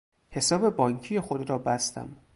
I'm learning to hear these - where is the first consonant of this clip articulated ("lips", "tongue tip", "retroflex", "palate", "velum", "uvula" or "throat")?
throat